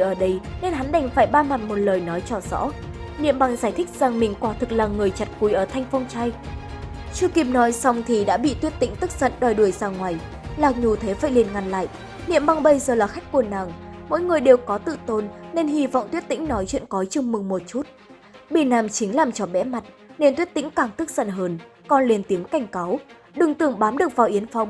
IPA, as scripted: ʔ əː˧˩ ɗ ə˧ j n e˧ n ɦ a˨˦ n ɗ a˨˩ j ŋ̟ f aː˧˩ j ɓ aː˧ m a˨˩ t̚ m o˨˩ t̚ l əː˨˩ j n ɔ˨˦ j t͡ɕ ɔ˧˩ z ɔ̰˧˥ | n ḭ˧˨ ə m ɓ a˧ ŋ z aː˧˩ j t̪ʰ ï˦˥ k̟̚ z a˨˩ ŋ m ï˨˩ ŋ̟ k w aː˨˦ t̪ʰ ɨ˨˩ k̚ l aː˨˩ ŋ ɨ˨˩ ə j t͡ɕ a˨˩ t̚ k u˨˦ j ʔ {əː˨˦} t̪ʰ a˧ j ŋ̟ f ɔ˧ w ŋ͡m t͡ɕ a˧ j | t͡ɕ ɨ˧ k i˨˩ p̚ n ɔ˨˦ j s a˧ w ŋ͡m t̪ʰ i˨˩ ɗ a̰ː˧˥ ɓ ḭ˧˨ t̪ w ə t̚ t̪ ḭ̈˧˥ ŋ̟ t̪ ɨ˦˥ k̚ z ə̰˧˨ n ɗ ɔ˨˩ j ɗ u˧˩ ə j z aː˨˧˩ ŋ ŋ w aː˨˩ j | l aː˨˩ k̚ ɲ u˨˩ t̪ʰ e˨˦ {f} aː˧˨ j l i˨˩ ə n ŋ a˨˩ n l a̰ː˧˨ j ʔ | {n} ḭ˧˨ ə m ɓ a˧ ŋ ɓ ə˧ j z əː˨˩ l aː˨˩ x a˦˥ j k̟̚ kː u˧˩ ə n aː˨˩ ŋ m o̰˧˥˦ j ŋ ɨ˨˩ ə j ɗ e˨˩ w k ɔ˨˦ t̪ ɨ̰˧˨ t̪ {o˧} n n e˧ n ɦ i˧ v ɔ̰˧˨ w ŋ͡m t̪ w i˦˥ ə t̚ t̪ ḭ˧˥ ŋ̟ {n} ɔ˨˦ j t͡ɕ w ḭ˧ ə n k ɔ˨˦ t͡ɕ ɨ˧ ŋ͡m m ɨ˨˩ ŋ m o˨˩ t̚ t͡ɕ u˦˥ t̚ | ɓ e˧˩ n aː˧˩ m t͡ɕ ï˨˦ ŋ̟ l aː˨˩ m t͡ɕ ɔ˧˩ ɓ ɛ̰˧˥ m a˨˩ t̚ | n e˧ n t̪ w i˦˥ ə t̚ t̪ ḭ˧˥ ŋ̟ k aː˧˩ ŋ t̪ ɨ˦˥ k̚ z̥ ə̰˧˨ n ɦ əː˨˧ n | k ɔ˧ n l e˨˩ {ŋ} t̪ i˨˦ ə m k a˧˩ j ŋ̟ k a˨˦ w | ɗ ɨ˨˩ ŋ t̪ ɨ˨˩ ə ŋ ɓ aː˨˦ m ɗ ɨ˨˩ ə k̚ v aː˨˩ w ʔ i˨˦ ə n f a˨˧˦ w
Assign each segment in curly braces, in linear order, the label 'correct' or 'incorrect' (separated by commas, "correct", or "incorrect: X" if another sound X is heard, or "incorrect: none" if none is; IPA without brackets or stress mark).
incorrect: əː˧˩, correct, correct, correct, correct, incorrect: n